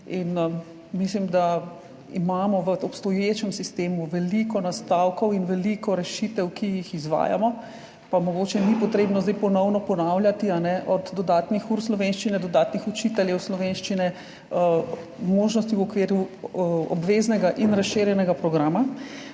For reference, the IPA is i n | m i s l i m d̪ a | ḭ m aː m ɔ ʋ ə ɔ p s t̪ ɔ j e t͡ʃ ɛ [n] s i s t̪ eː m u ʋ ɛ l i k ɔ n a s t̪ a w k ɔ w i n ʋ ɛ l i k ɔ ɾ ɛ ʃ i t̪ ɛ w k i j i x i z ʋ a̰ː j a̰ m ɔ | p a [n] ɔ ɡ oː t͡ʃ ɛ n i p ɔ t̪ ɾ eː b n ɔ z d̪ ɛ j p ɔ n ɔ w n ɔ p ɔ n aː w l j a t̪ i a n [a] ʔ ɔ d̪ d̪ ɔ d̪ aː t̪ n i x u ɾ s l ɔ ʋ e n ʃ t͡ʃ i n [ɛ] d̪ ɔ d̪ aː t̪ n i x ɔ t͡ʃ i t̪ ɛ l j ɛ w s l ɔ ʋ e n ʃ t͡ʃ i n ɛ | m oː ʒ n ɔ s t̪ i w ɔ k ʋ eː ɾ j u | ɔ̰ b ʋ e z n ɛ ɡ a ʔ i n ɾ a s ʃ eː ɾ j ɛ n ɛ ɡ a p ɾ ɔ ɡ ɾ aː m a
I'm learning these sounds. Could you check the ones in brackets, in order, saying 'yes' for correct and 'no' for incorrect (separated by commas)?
no, no, no, yes